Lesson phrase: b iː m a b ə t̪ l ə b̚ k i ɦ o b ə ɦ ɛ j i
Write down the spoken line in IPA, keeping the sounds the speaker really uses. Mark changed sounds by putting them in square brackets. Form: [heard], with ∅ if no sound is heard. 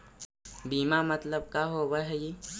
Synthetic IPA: b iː m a [m] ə t̪ l ə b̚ k [a] ɦ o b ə ɦ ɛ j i